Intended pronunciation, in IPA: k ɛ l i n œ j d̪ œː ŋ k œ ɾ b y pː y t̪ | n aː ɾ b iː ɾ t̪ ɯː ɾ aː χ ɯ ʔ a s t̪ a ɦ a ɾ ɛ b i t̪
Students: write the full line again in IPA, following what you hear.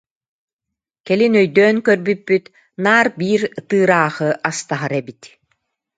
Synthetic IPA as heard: k ɛ l i n œ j d̪ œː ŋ k œ ɾ b y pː y t̪ | n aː ɾ b iː ɾ t̪ ɯː ɾ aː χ ɯ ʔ a s t̪ a ɦ a ɾ ɛ b i t̪